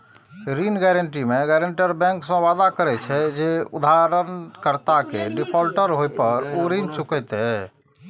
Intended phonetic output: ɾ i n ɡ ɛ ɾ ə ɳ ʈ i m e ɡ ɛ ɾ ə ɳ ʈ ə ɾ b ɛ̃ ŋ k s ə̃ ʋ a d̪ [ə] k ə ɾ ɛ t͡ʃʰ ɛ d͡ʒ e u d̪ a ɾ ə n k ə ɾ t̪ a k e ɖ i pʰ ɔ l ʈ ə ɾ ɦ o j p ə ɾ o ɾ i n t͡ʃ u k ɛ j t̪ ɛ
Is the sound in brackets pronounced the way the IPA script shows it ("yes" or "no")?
no